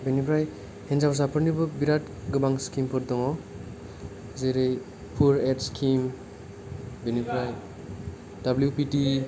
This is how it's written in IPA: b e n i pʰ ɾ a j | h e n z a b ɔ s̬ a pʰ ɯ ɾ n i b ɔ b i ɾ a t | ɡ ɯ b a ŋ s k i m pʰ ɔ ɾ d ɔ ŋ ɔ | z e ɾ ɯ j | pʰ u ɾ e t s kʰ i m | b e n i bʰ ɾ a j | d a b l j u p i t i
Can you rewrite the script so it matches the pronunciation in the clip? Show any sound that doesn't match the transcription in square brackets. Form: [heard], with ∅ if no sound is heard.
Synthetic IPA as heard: b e n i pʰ ɾ a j | h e n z a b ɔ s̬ a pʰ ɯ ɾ n i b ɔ b i ɾ a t | ɡ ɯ b a ŋ s k i m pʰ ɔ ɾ d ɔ ŋ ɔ | z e ɾ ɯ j | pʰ u ɾ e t s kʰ i m | b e n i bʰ ɾ a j | d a b l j u p i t i